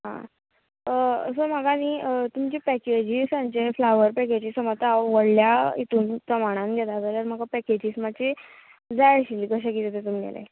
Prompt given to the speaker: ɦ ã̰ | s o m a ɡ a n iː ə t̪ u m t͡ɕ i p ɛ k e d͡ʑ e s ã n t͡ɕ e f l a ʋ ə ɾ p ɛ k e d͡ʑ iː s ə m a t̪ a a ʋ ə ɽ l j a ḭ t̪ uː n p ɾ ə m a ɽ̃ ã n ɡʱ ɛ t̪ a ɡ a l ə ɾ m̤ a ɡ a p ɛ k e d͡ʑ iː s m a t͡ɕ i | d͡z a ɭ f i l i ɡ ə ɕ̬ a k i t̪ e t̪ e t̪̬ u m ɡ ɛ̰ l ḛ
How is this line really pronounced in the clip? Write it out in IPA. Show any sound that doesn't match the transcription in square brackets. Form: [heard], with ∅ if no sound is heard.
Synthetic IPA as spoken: ɦ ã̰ | s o m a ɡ a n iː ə t̪ u m t͡ɕ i p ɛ k e d͡ʑ [i] s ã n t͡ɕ e f l a ʋ ə ɾ p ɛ k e d͡ʑ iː s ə m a t̪ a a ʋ ə ɽ l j a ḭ t̪ uː n p ɾ ə m a ɽ̃ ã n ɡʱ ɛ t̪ a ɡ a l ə ɾ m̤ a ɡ a p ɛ k e d͡ʑ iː s m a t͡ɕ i | d͡z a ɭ [ɕ] i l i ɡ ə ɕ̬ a k i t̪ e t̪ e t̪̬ u m ɡ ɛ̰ l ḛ

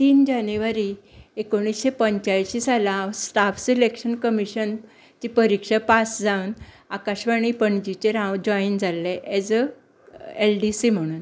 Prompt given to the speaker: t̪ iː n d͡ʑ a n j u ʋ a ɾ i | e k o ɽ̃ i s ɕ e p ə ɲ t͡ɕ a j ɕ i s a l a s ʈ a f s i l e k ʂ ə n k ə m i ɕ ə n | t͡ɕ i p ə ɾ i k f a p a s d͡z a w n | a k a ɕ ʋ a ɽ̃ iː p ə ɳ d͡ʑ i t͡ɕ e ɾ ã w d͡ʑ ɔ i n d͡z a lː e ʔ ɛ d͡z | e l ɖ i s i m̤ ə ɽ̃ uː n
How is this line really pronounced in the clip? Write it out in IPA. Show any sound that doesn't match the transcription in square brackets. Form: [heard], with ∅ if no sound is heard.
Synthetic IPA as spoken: t̪ iː n d͡ʑ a n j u ʋ a ɾ i | e k o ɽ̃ i s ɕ e p ə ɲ t͡ɕ a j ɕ i s a l a s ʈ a f s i l e k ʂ ə n k ə m i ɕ ə n | t͡ɕ i p ə ɾ i k [ʂ] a p a s d͡z a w n | a k a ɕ ʋ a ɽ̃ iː p ə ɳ d͡ʑ i t͡ɕ e ɾ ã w d͡ʑ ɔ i n d͡z a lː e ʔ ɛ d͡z | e l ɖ i s i m̤ ə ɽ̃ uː n

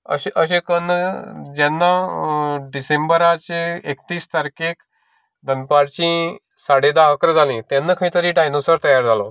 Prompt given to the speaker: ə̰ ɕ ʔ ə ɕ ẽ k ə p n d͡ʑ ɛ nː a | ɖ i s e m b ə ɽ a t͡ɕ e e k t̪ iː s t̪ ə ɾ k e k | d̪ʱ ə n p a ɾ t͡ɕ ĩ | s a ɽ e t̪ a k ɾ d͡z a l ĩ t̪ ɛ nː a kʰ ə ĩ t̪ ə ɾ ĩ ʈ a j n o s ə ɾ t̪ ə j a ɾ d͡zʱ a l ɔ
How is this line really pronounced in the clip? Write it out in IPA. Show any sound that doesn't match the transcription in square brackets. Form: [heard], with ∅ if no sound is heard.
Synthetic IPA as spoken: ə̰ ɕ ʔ ə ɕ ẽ k ə [∅] n d͡ʑ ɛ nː a | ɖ i s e m b ə [ɾ] a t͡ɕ e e k t̪ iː s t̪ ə ɾ k e k | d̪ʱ ə n p a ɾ t͡ɕ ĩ | s a ɽ e [d̪] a k ɾ d͡z a l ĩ t̪ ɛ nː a kʰ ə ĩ t̪ ə ɾ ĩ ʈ a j n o s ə ɾ t̪ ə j a ɾ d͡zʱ a l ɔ

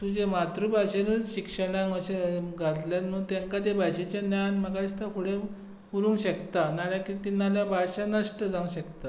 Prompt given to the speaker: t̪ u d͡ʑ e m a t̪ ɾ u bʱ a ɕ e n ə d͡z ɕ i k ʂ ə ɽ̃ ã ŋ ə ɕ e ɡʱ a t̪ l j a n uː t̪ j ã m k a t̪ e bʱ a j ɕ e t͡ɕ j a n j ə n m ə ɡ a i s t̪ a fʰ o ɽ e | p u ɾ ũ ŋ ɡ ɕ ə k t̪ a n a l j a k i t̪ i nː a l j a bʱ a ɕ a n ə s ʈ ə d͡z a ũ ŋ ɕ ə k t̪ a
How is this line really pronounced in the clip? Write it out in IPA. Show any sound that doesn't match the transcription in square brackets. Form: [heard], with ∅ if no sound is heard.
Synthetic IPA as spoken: t̪ u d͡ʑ e m a t̪ ɾ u bʱ a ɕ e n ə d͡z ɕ i k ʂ ə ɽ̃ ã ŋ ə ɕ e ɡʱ a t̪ l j a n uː t̪ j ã [ŋ] k a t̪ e bʱ a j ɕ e t͡ɕ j a n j [a] n m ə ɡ a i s t̪ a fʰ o ɽ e | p u ɾ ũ ŋ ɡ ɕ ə k t̪ a n a l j a k i t̪ i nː a l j a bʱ a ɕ a n ə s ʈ ə d͡z a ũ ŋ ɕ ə k t̪ a

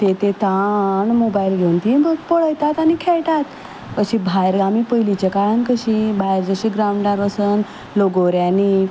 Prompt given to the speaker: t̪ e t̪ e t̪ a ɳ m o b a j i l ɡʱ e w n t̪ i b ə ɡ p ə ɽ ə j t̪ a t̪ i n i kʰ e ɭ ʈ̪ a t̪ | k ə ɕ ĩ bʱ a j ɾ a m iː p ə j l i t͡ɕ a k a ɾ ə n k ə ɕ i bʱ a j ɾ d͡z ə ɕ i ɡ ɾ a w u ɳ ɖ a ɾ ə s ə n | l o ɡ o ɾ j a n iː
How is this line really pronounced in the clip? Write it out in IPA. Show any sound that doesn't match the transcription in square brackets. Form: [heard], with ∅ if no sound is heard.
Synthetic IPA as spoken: t̪ e t̪ e t̪ a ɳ m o b a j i l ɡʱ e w n t̪ i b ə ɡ p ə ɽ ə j t̪ a t̪ [a] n i kʰ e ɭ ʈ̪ a t̪ | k ə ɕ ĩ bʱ a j ɾ a m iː p ə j l i t͡ɕ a k a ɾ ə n k ə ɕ i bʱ a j ɾ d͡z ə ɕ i ɡ ɾ a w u ɳ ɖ a ɾ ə s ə n | l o ɡ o ɾ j a n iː

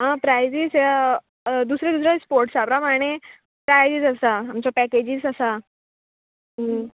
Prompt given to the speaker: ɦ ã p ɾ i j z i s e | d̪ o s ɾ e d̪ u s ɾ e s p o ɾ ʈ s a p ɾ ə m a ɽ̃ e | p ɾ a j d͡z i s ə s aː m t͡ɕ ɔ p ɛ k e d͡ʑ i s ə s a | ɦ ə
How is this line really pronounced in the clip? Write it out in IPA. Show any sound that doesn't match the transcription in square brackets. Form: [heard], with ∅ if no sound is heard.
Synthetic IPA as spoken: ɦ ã p ɾ [a] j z i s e | d̪ [u] s ɾ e d̪ u s ɾ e s p o ɾ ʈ s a p ɾ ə m a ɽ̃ e | p ɾ a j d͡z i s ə s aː m t͡ɕ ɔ p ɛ k e d͡ʑ i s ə s a | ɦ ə

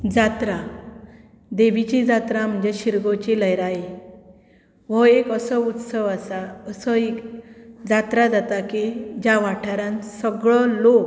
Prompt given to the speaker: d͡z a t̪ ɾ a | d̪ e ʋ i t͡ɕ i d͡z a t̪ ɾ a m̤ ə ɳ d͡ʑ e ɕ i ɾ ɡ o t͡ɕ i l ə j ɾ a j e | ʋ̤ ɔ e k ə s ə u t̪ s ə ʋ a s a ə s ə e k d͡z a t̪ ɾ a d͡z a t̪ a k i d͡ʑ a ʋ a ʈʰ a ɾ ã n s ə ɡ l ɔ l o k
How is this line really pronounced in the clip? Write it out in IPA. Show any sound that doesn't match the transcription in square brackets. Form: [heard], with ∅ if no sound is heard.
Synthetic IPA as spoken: d͡z a t̪ ɾ a | d̪ e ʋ i t͡ɕ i d͡z a t̪ ɾ a m̤ ə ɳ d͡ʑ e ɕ i ɾ ɡ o t͡ɕ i l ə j ɾ a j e | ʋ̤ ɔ e k ə s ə u t̪ s ə ʋ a s a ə s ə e k d͡z a t̪ ɾ a d͡z a t̪ a k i d͡ʑ a ʋ a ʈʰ a ɾ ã n s ə ɡ [ɭ] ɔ l o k

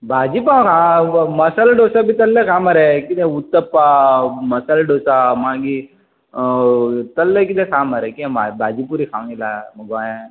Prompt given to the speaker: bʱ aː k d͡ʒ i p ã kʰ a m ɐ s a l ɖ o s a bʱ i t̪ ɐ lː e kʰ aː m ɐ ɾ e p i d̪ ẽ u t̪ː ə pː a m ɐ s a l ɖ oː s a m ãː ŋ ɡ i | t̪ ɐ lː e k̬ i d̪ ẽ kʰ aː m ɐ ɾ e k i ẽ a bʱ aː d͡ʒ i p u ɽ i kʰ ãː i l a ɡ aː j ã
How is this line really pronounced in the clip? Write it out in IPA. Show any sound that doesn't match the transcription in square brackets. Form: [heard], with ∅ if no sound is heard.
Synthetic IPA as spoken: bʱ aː [∅] d͡ʒ i p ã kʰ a m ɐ s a l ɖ o s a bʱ i t̪ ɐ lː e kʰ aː m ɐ ɾ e [k] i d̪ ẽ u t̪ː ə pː a m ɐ s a l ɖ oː s a m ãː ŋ ɡ i | t̪ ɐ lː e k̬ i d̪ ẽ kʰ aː m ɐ ɾ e k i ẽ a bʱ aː d͡ʒ i p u [ɾ] i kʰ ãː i l a ɡ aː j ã

